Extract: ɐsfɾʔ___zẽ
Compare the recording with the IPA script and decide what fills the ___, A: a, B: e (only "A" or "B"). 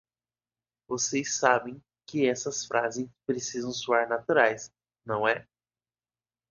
A